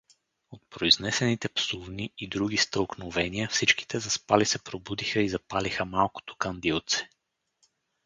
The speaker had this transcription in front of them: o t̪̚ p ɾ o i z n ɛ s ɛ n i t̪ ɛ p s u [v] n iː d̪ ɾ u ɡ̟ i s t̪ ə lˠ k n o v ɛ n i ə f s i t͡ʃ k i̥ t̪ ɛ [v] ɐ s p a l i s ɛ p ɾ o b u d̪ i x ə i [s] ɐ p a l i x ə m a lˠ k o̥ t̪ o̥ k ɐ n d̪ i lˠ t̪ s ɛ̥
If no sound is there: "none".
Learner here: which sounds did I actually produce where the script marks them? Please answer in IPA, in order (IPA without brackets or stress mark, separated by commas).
v, z, z